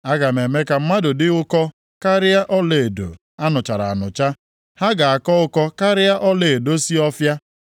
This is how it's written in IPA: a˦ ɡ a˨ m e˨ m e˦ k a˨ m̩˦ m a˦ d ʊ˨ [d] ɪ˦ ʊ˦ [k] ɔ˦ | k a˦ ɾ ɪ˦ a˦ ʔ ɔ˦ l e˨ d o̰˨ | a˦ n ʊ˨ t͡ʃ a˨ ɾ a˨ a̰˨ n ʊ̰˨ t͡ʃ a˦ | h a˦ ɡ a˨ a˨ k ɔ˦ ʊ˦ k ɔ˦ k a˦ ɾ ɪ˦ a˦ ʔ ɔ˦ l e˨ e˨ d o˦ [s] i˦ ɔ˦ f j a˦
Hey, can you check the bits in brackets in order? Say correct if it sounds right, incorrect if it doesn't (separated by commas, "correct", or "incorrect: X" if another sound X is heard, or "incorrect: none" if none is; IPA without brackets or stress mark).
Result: correct, correct, correct